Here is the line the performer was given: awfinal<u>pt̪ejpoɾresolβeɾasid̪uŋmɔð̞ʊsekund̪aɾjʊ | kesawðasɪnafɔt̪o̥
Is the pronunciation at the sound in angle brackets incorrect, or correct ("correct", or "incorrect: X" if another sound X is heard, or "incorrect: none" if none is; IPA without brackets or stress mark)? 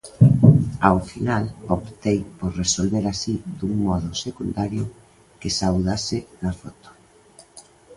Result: incorrect: o